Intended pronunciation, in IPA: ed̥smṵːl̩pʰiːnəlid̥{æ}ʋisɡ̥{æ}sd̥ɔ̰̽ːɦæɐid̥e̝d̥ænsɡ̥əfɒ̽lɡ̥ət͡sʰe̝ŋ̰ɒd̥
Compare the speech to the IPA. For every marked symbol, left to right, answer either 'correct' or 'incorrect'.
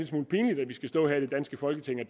correct, correct

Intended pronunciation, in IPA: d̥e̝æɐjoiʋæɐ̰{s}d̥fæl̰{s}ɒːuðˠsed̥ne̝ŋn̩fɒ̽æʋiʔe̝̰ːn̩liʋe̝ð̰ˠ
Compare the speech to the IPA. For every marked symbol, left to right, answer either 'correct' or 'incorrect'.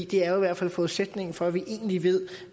incorrect, incorrect

